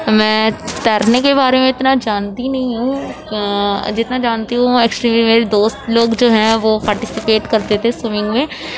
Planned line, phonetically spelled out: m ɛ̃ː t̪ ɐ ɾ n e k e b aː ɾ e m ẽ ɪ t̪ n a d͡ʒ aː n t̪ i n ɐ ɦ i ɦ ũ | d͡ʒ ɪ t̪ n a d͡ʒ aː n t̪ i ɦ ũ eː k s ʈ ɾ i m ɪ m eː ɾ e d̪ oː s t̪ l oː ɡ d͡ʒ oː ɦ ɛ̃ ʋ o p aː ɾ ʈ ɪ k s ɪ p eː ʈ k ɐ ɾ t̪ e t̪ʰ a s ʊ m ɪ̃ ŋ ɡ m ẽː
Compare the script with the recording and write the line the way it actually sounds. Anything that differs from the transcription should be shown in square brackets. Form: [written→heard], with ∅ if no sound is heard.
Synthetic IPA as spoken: m ɛ̃ː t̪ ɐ ɾ n e k e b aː ɾ e m ẽ ɪ t̪ n a d͡ʒ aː n t̪ i n ɐ ɦ [i→ĩ] ɦ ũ | d͡ʒ ɪ t̪ n a d͡ʒ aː n t̪ i ɦ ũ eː k s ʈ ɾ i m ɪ m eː ɾ e d̪ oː s t̪ l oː ɡ d͡ʒ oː ɦ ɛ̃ ʋ o p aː ɾ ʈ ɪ [k→∅] s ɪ p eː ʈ k ɐ ɾ t̪ e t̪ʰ [a→e] s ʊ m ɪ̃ ŋ ɡ m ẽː

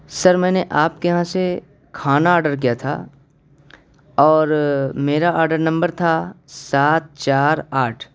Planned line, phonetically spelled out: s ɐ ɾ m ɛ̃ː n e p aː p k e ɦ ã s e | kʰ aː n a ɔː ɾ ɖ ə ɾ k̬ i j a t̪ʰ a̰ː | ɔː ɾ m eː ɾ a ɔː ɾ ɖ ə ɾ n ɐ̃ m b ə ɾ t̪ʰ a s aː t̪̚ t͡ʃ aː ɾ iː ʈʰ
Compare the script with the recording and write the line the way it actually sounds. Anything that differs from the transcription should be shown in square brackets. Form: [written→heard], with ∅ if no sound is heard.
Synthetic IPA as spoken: s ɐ ɾ m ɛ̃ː n e [p→ʔ] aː p k e ɦ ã s e | kʰ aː n a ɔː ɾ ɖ ə ɾ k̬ i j a t̪ʰ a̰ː | ɔː ɾ m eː ɾ a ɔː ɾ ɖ ə ɾ n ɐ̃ m b ə ɾ t̪ʰ a s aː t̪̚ t͡ʃ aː ɾ [iː→aː] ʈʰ

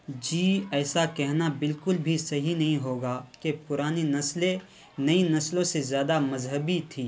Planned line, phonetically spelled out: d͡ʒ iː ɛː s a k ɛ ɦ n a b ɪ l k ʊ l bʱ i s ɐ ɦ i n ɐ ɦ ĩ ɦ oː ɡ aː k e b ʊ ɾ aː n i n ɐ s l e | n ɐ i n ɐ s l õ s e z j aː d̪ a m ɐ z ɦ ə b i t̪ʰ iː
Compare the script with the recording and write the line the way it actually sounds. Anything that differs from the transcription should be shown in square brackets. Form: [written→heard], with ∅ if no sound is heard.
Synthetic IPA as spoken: d͡ʒ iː ɛː s a k ɛ ɦ n a b ɪ l k ʊ l bʱ i s ɐ ɦ i n ɐ ɦ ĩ ɦ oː ɡ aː k e [b→p] ʊ ɾ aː n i n ɐ s l e | n ɐ i n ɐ s l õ s e z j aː d̪ a m ɐ z ɦ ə b i t̪ʰ iː

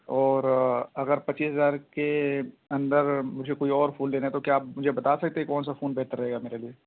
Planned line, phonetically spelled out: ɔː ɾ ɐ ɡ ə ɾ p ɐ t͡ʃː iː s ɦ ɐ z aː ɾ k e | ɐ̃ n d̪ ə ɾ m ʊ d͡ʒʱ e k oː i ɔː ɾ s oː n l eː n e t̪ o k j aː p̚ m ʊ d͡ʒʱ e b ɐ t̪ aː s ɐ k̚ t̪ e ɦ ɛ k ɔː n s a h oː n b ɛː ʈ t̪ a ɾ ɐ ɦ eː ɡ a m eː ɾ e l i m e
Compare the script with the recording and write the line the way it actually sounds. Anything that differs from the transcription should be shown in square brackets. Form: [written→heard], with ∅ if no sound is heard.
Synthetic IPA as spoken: ɔː ɾ ɐ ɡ ə ɾ p ɐ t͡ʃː iː s ɦ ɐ z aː ɾ k e | ɐ̃ n d̪ ə ɾ m ʊ d͡ʒʱ e k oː i ɔː ɾ [s→f] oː n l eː n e t̪ o k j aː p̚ m ʊ d͡ʒʱ e b ɐ t̪ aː s ɐ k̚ t̪ e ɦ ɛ k ɔː n s a [h→f] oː n b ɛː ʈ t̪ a ɾ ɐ ɦ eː ɡ a m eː ɾ e l i [m→∅] e

